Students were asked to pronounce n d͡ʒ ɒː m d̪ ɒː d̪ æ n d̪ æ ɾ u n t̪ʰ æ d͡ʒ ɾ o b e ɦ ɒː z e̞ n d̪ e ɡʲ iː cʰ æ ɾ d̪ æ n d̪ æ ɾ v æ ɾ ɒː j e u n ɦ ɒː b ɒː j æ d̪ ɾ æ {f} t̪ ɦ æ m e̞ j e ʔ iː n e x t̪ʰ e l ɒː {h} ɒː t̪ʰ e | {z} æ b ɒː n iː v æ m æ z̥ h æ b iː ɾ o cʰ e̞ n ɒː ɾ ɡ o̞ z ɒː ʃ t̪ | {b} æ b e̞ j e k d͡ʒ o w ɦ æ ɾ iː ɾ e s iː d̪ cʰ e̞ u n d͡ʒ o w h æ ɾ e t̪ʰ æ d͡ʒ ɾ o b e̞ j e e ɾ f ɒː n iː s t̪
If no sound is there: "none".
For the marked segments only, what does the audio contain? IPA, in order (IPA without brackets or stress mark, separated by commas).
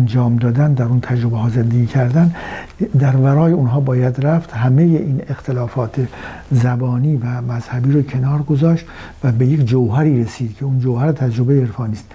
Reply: f, f, z, v